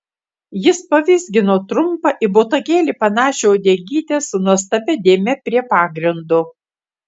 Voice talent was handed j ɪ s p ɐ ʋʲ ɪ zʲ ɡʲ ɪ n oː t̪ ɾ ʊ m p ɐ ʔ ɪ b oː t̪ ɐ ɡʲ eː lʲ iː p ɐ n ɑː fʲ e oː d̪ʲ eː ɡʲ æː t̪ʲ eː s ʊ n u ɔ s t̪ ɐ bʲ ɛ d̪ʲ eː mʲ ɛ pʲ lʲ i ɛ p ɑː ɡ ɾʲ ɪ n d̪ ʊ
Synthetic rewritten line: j ɪ s p ɐ ʋʲ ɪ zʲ ɡʲ ɪ n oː t̪ ɾ ʊ m p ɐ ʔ ɪ b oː t̪ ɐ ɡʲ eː lʲ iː p ɐ n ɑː ʃʲ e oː d̪ʲ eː ɡʲ iː t̪ʲ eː s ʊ n u ɔ s t̪ ɐ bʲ ɛ d̪ʲ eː mʲ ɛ pʲ ɾʲ i ɛ p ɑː ɡ ɾʲ ɪ n d̪ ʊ